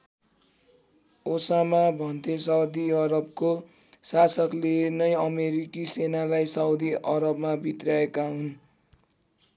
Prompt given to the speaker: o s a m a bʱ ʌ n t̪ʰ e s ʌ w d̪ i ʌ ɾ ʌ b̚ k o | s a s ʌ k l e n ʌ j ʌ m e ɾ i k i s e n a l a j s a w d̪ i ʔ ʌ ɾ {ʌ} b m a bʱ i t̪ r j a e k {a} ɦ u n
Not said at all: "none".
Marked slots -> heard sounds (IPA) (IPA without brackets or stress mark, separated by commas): ʌ, a